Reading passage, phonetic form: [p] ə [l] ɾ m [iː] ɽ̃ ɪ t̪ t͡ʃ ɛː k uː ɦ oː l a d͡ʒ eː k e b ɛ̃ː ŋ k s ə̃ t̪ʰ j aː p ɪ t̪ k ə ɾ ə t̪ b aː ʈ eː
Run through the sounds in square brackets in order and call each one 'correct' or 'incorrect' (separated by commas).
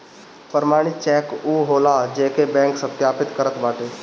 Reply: correct, incorrect, incorrect